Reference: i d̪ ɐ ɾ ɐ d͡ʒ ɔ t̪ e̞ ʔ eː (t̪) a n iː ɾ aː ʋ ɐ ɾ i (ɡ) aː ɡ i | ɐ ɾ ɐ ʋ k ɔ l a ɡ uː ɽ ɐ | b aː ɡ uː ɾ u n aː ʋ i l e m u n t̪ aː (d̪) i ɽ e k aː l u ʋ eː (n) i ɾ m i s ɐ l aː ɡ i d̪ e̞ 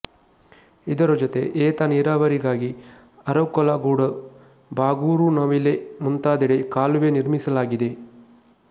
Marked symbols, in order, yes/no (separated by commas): yes, yes, yes, yes